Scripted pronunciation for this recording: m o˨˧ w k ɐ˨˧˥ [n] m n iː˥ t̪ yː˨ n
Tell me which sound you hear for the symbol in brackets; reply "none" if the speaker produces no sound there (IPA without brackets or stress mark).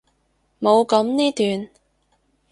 none